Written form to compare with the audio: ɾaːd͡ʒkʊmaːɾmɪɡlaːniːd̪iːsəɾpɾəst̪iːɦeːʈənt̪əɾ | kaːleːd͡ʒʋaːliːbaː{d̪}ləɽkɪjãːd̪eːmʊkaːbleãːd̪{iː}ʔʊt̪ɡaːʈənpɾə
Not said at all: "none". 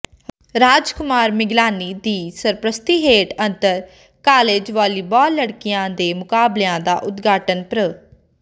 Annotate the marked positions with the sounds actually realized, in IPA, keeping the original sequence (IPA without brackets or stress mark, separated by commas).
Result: none, aː